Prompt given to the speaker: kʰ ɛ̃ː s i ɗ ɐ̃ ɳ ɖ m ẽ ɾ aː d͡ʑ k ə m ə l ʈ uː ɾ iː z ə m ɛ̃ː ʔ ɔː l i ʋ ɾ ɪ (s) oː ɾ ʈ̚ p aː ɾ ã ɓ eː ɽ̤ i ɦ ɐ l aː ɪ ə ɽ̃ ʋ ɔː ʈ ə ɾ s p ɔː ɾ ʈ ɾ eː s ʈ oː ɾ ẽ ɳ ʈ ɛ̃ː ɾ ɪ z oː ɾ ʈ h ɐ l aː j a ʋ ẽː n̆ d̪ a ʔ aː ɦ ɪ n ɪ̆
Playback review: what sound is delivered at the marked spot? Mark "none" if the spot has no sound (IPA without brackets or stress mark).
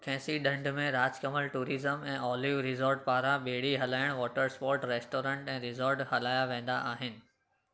z